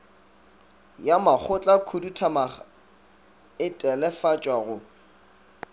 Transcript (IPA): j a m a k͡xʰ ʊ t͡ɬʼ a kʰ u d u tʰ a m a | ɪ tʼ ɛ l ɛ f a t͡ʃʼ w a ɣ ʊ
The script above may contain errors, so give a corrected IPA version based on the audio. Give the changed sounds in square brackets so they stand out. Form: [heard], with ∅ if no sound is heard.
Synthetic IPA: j a m a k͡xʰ ʊ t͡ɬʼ a kʰ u d u tʰ a m a | ɪ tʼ ɛ l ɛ f a t͡ʃʼ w a ɣ ʊ